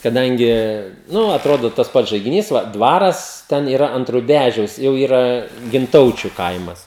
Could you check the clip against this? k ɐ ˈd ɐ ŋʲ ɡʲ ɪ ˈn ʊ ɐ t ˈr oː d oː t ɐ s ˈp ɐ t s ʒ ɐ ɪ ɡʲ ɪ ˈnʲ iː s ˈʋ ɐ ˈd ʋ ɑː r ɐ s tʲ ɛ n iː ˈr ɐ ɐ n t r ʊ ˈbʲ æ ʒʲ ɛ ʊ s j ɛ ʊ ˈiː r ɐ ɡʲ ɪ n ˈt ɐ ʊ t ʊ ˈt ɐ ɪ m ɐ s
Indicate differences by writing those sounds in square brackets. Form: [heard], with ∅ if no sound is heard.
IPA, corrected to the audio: k ɐ ˈd ɐ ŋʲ ɡʲ ɪ ˈn ʊ ɐ t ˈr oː d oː t ɐ s ˈp ɐ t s ʒ ɐ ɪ ɡʲ ɪ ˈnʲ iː s ˈʋ ɐ ˈd ʋ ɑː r ɐ s tʲ ɛ n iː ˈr ɐ ɐ n t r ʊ ˈbʲ æ ʒʲ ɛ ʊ s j ɛ ʊ ˈiː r ɐ ɡʲ ɪ n ˈt ɐ ʊ [t͡ʃʲ] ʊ [ˈk] ɐ ɪ m ɐ s